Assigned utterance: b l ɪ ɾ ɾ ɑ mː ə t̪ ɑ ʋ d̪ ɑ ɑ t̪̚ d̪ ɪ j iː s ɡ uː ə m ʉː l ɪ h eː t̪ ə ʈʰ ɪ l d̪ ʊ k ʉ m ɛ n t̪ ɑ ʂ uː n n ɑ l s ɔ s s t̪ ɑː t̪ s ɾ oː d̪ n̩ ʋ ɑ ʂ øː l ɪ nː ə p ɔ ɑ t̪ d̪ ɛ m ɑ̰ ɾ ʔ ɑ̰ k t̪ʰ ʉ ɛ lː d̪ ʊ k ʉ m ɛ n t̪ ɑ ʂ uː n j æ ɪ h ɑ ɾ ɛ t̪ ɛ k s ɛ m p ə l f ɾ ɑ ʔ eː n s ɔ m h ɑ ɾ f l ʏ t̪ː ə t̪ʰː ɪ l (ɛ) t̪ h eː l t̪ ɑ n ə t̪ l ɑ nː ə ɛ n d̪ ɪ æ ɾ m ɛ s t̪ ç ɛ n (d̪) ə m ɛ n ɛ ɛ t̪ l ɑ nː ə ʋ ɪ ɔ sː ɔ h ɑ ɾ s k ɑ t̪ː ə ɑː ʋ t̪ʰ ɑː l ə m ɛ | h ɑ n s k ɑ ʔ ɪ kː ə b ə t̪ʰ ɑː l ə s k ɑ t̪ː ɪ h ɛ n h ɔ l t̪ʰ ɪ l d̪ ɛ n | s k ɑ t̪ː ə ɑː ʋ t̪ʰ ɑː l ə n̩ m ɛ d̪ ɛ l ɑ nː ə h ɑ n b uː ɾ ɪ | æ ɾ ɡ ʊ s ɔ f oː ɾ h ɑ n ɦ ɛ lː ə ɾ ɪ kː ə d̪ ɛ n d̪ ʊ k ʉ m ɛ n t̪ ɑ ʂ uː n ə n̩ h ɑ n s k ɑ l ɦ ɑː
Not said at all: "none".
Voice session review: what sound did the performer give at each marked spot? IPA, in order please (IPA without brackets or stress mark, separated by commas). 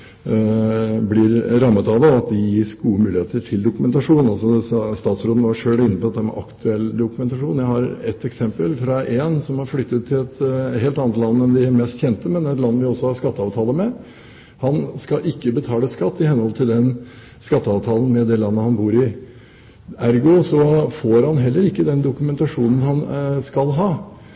ɛ, t̪